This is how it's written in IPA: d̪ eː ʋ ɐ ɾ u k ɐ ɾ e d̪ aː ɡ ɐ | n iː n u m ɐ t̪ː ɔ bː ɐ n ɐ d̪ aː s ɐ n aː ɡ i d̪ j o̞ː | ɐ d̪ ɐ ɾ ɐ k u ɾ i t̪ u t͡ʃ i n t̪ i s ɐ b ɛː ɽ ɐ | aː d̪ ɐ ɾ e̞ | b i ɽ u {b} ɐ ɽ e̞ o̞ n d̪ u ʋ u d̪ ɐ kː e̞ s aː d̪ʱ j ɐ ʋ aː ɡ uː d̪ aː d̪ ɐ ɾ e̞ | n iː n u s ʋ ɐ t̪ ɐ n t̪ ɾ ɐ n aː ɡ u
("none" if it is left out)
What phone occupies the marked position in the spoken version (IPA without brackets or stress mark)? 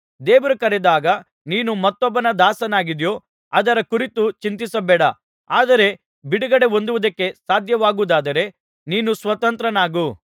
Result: ɡ